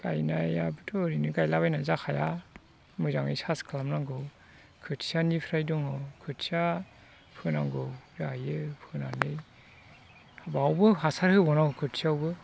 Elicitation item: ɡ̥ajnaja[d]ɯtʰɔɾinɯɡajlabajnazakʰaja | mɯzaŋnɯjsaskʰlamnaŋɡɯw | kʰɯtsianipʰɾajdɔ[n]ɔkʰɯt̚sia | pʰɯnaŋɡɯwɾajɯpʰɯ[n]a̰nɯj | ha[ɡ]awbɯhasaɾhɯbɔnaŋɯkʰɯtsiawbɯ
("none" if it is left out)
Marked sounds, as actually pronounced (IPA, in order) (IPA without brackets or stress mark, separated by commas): b, ŋ, n, b